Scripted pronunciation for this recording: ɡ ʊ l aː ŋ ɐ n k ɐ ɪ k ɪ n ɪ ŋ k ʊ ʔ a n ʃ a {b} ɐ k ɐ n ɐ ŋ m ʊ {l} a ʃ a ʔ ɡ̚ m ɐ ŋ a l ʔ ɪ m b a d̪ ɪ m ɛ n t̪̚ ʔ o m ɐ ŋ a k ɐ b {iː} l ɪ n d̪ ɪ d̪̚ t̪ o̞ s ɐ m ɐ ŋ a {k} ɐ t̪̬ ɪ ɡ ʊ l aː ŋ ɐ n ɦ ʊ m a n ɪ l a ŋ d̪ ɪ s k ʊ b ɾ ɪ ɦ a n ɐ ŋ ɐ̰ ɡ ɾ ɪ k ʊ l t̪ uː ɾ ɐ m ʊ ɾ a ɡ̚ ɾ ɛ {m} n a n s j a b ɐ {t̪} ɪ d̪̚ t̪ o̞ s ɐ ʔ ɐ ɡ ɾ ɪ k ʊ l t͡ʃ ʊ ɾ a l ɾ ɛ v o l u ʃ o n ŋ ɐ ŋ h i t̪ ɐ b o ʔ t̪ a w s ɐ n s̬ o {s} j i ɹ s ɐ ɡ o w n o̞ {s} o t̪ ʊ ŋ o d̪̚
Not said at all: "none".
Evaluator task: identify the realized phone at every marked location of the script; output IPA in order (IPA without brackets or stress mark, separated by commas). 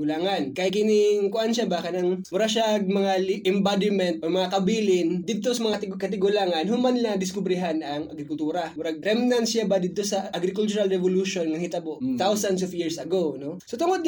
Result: b, ɾ, iː, k, m, d̪, f, s